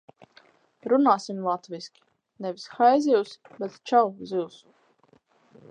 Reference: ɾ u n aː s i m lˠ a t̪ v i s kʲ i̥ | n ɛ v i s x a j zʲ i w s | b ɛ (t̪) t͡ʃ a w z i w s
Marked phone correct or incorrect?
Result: correct